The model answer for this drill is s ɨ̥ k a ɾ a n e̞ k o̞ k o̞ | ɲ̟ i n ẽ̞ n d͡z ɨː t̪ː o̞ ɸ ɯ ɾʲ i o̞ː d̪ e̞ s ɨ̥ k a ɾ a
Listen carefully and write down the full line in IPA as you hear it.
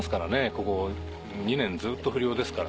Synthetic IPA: s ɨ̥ k a ɾ a n e̞ k o̞ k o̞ | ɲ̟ i n ẽ̞ n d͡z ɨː t̪ː o̞ ɸ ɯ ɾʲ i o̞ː d̪ e̞ s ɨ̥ k a ɾ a